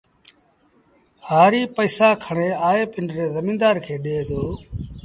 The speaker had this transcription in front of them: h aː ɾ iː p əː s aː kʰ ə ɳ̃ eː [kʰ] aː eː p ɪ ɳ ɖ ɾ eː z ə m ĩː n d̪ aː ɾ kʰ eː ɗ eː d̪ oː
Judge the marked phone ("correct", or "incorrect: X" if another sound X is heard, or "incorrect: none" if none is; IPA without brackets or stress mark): incorrect: none